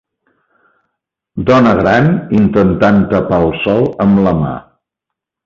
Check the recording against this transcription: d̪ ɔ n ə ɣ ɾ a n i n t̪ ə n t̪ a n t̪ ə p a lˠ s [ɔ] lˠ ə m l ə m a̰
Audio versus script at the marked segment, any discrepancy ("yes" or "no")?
no